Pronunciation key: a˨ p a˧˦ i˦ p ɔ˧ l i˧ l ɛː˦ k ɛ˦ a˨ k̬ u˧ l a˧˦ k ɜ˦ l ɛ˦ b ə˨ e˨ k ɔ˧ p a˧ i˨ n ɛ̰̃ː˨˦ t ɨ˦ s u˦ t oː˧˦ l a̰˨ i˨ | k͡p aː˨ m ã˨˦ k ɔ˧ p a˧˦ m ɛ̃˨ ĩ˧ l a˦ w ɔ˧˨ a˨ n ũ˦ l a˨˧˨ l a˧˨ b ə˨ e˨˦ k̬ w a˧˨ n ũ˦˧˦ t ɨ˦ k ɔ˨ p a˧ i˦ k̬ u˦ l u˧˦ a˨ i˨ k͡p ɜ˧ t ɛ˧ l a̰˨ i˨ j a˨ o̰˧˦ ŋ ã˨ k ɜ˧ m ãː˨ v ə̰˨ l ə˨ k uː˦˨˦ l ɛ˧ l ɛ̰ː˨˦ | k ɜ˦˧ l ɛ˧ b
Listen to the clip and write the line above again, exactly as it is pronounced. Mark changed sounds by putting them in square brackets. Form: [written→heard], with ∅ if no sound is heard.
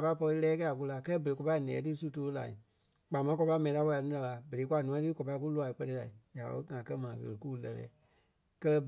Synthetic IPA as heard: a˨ p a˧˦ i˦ p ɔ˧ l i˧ l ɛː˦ k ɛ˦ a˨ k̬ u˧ l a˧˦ k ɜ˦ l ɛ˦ b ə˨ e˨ k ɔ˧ p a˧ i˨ n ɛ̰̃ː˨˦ t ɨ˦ s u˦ t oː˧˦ l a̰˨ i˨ | k͡p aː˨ m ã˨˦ k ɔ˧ p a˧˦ m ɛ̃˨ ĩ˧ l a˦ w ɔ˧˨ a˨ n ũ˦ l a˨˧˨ l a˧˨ b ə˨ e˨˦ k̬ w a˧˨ n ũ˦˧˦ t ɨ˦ k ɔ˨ p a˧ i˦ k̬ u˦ l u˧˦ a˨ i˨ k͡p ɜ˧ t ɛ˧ l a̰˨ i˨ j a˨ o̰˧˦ ŋ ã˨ k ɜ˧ m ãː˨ [v→ɣ] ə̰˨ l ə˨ k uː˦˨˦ l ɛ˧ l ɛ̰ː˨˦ | k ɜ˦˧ l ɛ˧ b